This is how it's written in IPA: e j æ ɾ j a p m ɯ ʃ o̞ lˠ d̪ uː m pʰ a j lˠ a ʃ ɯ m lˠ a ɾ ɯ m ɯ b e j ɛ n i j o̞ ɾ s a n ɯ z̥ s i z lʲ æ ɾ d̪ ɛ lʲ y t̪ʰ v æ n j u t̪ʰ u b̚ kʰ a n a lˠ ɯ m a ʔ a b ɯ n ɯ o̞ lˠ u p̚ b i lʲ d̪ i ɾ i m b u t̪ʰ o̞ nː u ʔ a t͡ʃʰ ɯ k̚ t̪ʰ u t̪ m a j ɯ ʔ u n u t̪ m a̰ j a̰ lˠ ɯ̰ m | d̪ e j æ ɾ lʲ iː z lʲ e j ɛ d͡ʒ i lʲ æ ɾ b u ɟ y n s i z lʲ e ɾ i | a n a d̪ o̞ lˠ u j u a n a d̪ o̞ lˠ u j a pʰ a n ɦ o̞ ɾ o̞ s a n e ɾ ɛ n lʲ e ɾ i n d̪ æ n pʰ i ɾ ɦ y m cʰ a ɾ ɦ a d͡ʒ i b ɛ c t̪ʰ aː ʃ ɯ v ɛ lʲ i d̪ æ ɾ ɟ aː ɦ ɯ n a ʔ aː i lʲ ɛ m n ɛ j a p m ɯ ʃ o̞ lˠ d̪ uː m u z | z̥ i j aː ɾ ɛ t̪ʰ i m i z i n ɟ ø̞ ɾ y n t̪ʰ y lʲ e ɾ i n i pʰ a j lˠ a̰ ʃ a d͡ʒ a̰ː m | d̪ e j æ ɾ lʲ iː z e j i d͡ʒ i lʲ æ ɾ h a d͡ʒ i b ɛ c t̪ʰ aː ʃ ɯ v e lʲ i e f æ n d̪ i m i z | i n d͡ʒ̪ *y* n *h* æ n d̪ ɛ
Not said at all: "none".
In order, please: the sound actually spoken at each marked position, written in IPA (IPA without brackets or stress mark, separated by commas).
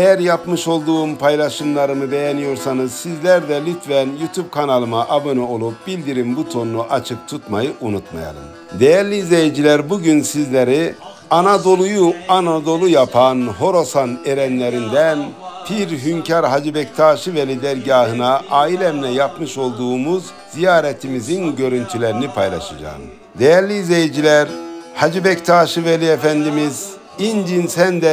i, s